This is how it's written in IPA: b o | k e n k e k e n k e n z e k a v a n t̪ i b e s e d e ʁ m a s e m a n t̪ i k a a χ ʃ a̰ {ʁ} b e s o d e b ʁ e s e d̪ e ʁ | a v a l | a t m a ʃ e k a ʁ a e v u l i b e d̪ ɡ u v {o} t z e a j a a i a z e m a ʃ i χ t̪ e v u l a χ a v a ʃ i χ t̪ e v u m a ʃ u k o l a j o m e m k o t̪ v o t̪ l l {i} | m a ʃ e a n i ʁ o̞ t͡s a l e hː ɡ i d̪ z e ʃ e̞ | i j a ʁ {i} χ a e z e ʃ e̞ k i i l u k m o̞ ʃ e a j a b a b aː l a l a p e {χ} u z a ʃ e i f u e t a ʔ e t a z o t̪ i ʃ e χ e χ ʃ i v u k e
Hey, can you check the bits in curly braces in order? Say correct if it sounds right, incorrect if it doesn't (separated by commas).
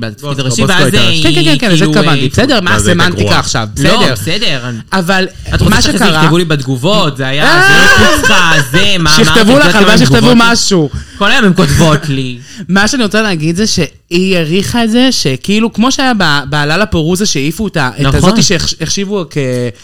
incorrect, correct, correct, correct, incorrect